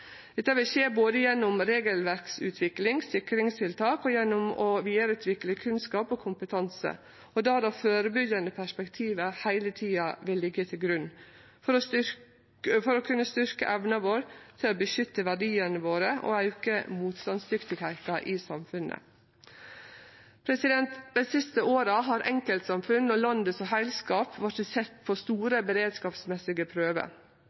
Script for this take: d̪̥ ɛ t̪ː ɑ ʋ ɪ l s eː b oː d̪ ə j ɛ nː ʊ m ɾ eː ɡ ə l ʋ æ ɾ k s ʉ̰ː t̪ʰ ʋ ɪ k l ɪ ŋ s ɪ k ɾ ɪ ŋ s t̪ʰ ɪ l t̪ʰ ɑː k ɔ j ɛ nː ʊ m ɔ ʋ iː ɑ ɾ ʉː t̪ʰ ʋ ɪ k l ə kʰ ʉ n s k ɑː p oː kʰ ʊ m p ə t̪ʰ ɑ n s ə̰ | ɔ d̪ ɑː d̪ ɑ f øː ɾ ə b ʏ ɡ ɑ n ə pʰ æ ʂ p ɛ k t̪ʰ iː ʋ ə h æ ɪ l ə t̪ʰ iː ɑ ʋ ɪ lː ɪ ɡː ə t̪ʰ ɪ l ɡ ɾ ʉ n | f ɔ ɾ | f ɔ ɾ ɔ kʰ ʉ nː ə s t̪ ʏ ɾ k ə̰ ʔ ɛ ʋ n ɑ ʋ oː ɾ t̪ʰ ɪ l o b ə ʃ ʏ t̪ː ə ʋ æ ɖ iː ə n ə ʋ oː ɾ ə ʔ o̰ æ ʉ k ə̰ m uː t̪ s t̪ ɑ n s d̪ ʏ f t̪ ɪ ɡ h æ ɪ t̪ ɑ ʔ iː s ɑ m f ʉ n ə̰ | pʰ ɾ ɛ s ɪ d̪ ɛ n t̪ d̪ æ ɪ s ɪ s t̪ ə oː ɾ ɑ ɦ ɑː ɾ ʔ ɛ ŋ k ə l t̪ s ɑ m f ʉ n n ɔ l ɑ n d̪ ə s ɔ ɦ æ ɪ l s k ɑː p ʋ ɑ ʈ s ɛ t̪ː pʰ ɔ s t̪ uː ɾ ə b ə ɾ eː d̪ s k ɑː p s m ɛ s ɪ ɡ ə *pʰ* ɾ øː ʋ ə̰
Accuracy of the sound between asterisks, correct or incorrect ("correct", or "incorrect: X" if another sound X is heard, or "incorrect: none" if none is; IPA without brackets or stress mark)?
correct